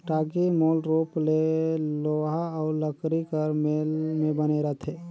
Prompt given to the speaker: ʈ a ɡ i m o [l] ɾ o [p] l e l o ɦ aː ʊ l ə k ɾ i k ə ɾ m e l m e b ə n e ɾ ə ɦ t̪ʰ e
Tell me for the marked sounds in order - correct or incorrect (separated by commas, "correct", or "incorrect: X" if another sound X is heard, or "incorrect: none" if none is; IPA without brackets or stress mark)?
correct, correct